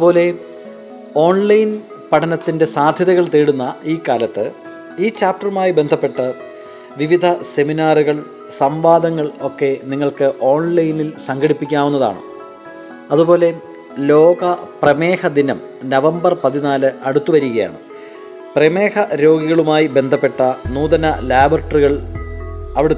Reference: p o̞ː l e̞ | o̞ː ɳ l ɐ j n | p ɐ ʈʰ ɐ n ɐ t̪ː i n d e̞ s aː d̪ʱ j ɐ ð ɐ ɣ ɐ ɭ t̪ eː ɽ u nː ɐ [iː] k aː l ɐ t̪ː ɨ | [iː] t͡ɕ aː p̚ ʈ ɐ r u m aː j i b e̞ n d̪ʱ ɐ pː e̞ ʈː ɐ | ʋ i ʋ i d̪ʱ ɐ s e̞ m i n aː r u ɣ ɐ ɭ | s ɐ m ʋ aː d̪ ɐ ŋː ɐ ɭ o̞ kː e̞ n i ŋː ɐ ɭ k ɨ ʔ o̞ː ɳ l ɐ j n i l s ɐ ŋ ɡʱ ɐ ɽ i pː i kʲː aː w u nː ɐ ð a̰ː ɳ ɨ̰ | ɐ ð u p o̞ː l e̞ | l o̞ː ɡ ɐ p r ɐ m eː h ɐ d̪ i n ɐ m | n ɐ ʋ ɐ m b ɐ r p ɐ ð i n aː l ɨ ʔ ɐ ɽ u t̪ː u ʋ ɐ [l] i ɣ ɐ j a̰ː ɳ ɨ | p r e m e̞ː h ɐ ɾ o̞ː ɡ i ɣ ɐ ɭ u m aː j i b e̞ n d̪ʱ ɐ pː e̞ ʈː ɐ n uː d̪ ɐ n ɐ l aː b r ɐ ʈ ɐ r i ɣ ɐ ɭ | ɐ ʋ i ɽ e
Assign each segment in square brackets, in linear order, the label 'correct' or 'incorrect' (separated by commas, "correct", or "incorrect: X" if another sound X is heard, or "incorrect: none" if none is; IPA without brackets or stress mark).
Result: correct, correct, incorrect: ɾ